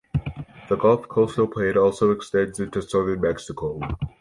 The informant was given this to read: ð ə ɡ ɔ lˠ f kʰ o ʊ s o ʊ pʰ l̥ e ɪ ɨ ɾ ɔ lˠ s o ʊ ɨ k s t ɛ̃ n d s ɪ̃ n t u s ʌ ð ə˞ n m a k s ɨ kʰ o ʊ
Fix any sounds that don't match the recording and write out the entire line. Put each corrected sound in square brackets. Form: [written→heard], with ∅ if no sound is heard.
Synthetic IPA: ð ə ɡ ɔ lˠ f kʰ o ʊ s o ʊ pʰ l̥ e ɪ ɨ ɾ ɔ lˠ s o ʊ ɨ k s t ɛ̃ n d [s→z] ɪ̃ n t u s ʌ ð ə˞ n m [a→ɛ] k s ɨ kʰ o ʊ